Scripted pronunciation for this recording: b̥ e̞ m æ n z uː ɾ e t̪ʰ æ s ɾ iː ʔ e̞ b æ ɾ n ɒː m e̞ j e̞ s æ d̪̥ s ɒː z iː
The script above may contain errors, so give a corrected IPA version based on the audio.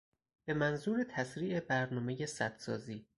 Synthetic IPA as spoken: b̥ e̞ m æ n z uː ɾ e t̪ʰ æ s ɾ iː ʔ e̞ b æ ɾ n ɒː m e̞ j e̞ s æ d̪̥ s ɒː z iː